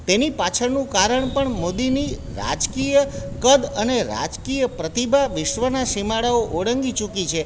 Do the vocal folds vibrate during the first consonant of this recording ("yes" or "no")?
no